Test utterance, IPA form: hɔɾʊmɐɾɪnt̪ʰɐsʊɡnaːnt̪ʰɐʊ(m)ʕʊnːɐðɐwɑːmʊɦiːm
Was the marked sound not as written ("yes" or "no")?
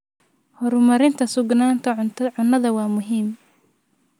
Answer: yes